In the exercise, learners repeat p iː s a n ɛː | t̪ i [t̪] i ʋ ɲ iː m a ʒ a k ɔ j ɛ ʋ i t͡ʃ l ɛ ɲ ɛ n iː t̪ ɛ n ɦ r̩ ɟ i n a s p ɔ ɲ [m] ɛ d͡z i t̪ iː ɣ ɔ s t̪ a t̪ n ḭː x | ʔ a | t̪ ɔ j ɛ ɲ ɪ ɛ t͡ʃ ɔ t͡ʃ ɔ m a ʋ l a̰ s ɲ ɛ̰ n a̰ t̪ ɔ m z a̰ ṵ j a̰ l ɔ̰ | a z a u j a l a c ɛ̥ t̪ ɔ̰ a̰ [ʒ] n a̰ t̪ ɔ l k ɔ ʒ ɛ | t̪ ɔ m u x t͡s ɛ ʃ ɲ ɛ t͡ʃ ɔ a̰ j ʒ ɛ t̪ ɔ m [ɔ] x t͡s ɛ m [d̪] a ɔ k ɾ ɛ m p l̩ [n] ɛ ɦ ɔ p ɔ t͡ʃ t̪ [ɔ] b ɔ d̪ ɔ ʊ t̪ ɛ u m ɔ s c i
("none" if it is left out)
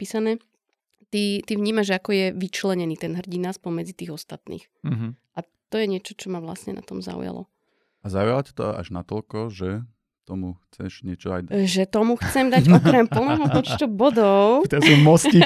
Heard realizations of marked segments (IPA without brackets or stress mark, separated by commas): t̪, m, ʒ, u, d̪, n, u